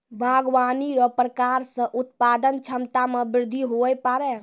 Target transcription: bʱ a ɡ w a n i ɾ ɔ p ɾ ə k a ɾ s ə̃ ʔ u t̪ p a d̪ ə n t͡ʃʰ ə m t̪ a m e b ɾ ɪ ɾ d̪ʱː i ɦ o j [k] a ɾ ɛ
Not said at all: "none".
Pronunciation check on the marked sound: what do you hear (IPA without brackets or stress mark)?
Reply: p